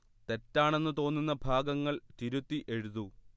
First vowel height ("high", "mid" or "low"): mid